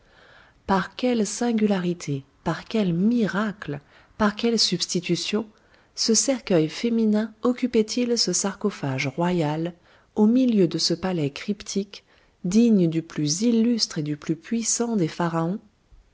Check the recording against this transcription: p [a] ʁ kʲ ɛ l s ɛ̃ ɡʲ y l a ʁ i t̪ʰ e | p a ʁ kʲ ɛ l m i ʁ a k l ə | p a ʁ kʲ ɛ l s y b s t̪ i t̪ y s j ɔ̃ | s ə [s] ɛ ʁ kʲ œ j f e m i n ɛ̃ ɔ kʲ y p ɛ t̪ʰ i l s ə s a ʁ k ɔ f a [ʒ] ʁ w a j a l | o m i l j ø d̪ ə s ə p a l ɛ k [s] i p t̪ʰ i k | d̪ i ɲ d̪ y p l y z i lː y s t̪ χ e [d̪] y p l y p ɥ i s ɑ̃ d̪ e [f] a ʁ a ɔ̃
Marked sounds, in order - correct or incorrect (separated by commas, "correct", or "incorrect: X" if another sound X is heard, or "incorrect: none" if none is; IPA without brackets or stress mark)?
correct, correct, correct, incorrect: χ, correct, correct